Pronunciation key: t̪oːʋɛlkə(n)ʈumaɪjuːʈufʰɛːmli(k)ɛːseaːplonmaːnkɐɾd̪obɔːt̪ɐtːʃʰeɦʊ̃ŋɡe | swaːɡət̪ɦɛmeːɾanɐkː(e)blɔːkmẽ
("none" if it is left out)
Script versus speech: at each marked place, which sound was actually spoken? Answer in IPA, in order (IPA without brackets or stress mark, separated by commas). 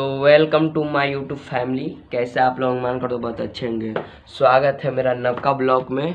m, k, a